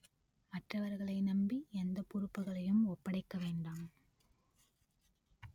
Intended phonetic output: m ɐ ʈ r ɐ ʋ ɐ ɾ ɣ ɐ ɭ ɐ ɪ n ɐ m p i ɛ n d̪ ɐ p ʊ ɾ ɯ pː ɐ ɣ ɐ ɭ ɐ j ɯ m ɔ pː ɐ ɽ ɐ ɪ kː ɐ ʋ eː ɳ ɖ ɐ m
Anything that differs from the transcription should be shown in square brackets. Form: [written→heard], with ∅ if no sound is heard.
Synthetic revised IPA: m ɐ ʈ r ɐ ʋ ɐ ɾ ɣ ɐ ɭ ɐ ɪ n ɐ m [p→b] i ɛ n d̪ ɐ p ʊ ɾ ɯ pː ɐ ɣ ɐ ɭ ɐ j ɯ m ɔ pː ɐ ɽ ɐ ɪ kː ɐ ʋ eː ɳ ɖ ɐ m